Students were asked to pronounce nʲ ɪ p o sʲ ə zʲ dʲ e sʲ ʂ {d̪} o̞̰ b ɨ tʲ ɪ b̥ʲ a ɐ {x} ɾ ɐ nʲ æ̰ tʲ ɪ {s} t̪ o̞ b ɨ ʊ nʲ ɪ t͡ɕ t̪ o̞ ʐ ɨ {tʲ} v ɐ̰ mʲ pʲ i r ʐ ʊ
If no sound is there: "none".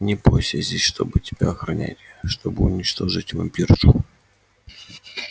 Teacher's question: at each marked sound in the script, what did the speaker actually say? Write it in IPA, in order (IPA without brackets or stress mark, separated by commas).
t̪, x, ʂ, tʲ